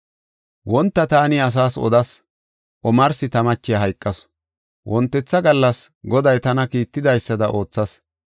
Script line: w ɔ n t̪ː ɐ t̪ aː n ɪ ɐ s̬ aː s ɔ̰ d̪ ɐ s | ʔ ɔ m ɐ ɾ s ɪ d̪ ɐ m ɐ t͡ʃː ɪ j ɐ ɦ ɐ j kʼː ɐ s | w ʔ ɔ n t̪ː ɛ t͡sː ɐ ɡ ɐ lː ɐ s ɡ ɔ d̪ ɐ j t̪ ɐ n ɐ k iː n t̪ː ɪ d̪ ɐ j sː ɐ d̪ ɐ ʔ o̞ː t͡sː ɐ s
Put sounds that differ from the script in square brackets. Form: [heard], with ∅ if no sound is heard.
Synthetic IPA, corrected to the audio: w ɔ n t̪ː ɐ t̪ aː n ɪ ɐ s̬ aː s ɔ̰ d̪ ɐ s | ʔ ɔ m ɐ ɾ s ɪ [t̪] ɐ m ɐ t͡ʃː ɪ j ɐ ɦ ɐ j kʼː ɐ s | w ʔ ɔ n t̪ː ɛ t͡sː ɐ ɡ ɐ lː ɐ s ɡ ɔ d̪ ɐ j t̪ ɐ n ɐ k iː [∅] t̪ː ɪ d̪ ɐ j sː ɐ d̪ ɐ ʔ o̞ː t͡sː ɐ s